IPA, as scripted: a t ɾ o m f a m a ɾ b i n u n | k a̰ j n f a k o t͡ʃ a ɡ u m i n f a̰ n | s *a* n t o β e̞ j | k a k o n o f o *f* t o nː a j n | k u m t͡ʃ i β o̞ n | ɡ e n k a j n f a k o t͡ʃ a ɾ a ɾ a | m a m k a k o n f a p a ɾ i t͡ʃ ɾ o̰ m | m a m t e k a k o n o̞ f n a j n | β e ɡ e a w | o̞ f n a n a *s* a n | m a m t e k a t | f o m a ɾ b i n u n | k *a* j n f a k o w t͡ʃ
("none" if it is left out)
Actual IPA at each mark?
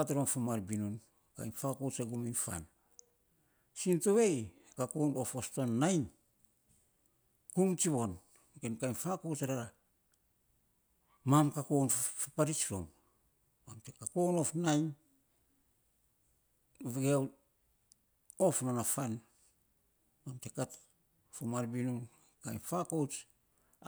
i, s, f, a

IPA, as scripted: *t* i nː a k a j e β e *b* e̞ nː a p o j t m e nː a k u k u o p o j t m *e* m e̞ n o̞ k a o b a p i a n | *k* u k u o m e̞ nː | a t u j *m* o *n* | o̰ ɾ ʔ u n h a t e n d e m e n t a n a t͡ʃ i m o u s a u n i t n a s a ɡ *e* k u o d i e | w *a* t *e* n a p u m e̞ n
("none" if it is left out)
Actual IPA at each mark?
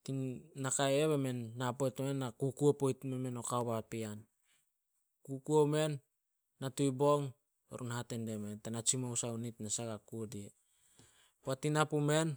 t, m, e, k, b, ŋ, a, a, i

